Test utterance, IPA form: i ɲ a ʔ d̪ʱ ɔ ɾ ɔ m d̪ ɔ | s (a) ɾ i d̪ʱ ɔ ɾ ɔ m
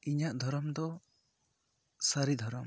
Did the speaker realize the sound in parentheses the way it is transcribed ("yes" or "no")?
yes